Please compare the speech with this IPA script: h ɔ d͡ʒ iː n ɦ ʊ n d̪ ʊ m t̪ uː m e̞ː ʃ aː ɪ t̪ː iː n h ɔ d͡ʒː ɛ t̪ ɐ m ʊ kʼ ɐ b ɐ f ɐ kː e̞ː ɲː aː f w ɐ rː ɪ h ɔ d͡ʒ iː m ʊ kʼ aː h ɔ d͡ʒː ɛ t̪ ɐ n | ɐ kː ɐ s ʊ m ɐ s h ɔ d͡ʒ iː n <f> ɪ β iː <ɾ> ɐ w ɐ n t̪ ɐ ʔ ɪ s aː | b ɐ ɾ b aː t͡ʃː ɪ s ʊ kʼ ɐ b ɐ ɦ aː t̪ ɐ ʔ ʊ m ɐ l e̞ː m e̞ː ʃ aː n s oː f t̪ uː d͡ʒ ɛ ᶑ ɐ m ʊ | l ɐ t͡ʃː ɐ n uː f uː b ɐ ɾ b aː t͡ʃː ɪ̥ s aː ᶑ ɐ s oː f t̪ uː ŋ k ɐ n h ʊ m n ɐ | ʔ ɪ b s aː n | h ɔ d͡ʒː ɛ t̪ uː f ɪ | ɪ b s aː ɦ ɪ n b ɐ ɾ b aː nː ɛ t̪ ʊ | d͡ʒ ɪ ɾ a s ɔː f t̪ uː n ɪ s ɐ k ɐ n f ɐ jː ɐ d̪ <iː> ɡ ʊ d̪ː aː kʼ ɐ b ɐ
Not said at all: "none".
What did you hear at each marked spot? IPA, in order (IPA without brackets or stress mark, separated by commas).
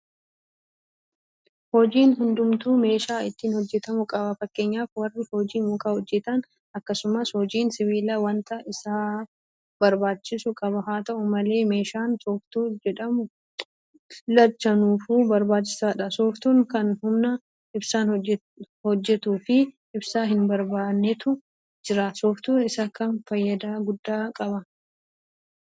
s, l, aː